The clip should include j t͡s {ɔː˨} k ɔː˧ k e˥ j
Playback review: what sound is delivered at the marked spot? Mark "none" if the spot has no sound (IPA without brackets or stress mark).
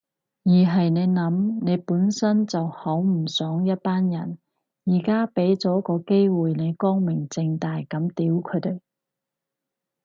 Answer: ɔː˨˥